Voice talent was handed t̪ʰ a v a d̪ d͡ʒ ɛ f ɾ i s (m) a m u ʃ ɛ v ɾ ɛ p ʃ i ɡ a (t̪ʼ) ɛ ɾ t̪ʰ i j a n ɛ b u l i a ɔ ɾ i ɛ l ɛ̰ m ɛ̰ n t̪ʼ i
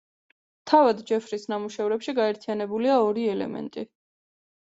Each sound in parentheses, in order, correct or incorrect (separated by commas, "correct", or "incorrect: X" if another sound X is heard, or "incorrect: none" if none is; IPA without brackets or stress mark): incorrect: n, incorrect: none